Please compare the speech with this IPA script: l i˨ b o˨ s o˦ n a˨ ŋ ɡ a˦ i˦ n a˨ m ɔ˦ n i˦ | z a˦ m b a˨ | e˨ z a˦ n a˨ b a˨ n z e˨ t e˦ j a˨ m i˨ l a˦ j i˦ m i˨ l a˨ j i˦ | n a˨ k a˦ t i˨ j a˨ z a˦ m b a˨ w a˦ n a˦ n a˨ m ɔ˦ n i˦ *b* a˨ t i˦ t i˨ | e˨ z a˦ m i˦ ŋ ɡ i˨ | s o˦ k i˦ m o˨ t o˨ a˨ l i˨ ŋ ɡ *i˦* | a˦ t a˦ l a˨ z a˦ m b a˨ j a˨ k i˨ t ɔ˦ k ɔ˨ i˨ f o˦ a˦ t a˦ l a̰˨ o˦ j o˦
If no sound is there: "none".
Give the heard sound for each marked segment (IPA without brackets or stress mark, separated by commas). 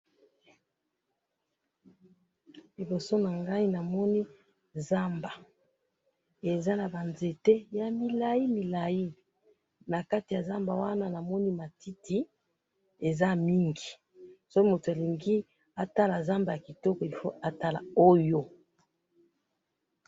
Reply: m, i˦